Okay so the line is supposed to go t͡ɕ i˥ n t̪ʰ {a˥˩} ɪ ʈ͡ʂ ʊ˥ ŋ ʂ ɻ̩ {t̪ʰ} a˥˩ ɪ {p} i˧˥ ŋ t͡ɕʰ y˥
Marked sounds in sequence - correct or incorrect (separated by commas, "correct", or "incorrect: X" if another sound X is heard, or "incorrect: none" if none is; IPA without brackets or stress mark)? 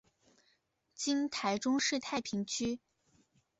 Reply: incorrect: a˧˥, correct, incorrect: pʰ